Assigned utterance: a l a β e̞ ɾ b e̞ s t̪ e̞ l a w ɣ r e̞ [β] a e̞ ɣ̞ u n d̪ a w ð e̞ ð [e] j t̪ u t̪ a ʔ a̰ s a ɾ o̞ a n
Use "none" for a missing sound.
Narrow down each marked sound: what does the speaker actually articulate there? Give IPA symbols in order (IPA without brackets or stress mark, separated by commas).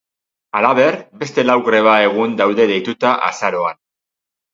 β, e